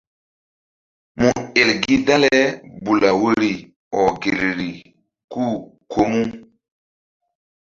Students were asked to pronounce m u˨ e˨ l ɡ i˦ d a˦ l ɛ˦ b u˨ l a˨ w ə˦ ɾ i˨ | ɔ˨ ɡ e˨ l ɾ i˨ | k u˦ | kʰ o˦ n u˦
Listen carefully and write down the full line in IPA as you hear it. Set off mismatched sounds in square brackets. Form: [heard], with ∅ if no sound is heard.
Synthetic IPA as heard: m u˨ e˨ l ɡ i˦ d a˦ l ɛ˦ b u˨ l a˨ w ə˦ ɾ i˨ | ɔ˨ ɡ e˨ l ɾ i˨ | k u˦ | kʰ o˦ [m] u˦